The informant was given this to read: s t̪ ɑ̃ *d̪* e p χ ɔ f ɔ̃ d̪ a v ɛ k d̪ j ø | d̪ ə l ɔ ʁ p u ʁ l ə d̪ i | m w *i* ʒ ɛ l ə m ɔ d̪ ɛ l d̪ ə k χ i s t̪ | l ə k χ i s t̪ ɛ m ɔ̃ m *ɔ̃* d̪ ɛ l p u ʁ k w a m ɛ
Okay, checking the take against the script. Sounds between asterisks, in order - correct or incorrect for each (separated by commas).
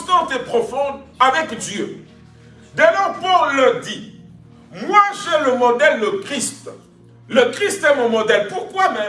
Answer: incorrect, incorrect, incorrect